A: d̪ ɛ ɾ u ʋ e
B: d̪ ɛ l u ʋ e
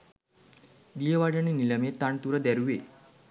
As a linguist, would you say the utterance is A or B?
A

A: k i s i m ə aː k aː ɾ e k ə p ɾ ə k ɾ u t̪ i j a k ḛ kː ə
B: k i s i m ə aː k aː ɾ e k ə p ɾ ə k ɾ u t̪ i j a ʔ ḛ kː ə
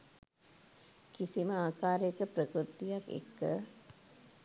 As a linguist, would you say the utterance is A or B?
A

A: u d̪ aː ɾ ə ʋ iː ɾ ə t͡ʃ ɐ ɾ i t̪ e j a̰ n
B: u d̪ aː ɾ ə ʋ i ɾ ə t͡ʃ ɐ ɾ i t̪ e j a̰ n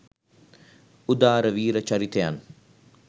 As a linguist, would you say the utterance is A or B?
A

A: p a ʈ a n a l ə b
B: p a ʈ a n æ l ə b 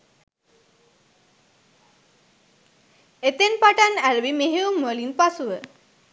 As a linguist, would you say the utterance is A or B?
B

